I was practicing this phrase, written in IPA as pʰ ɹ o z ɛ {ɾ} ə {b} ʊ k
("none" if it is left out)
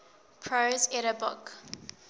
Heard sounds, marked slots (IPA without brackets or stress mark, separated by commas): ɾ, b